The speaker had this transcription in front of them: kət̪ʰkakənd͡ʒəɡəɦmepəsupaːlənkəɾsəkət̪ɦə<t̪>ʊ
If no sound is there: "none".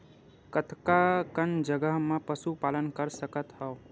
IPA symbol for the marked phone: none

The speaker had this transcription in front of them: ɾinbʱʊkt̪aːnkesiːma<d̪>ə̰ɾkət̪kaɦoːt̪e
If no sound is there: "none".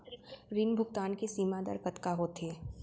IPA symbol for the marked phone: d̪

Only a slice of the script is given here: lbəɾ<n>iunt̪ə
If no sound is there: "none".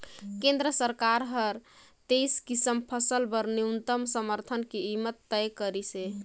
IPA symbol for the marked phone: n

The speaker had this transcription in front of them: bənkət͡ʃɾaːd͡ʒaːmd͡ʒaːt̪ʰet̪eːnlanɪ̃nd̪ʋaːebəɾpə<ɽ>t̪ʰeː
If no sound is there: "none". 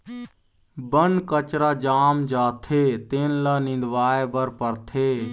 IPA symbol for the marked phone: ɾ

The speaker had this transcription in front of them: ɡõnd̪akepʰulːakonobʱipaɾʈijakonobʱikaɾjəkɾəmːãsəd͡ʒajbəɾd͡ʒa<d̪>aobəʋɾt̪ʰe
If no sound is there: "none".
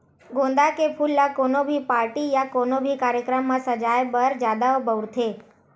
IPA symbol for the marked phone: d̪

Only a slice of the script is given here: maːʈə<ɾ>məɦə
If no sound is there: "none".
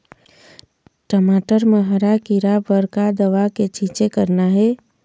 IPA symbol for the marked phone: ɾ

